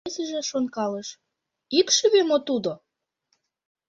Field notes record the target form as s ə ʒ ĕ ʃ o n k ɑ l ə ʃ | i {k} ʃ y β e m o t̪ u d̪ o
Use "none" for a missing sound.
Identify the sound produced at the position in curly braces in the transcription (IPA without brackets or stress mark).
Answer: k